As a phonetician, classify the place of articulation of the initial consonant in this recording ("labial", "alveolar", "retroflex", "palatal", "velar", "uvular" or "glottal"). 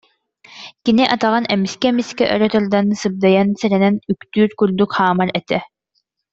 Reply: velar